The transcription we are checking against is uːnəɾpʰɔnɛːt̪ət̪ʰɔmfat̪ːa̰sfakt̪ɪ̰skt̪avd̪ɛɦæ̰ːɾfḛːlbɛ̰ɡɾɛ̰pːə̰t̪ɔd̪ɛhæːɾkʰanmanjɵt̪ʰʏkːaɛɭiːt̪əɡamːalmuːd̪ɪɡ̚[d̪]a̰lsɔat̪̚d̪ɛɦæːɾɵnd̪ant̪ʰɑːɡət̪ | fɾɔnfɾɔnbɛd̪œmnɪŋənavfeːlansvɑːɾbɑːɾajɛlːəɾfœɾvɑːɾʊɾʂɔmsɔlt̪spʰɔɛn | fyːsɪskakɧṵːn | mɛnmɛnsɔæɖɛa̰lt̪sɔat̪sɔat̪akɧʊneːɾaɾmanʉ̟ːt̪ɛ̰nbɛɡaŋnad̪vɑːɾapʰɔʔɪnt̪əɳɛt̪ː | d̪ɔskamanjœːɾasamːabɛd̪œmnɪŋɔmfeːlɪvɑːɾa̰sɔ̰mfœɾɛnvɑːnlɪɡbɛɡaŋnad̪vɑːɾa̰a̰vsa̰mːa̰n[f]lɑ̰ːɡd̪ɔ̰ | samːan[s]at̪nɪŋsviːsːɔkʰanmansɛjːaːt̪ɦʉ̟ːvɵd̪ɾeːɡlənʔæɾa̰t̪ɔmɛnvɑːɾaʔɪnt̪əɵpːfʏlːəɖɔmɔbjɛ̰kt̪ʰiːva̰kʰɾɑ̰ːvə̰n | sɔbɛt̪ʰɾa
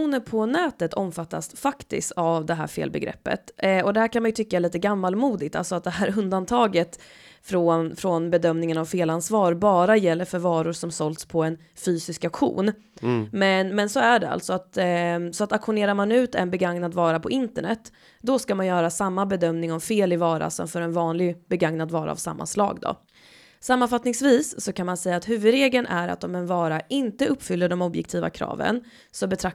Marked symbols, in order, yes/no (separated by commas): no, no, no